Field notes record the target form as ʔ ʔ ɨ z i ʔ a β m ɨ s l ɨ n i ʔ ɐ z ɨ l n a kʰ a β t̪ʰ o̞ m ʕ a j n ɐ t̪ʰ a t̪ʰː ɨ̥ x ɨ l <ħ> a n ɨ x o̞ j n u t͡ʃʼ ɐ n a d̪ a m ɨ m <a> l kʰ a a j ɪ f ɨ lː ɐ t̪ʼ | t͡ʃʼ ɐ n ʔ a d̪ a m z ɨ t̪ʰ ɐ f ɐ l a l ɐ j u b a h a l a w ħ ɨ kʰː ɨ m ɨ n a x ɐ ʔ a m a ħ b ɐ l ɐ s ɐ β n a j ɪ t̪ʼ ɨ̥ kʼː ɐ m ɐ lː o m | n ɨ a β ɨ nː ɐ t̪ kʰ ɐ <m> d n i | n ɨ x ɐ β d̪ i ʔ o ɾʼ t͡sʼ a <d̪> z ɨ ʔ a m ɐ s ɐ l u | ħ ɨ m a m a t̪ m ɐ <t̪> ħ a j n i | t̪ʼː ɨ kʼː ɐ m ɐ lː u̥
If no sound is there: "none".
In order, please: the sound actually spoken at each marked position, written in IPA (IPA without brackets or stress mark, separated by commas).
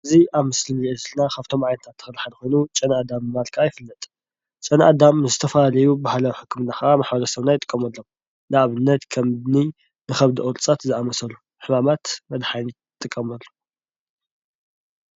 ħ, a, m, t̪, d̪